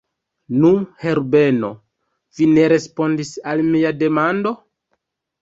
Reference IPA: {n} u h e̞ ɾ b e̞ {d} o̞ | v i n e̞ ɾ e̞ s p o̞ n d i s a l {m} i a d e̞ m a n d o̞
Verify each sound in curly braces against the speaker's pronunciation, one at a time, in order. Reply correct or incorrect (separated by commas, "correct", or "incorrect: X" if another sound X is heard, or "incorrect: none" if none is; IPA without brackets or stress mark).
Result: correct, incorrect: n, correct